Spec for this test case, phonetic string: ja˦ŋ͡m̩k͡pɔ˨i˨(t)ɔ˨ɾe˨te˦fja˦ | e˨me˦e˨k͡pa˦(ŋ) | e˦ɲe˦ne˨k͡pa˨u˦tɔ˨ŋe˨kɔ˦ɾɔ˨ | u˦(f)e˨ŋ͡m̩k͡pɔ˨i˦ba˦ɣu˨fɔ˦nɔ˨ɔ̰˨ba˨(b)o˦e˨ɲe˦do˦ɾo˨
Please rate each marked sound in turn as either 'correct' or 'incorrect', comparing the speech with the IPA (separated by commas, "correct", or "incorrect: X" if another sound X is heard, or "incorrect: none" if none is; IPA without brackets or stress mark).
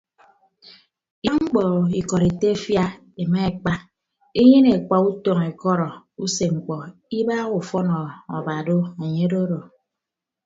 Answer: incorrect: k, incorrect: none, incorrect: s, incorrect: d